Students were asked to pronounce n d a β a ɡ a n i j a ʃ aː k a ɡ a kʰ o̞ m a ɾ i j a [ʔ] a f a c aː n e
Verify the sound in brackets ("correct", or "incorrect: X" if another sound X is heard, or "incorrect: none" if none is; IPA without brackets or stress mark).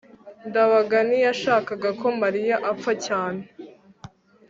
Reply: correct